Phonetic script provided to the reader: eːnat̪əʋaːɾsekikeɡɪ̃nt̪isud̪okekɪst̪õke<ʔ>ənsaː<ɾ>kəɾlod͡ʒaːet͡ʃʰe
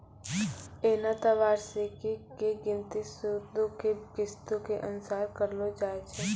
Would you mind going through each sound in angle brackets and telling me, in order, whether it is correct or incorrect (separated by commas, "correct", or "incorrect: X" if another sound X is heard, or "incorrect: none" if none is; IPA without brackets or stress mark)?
correct, correct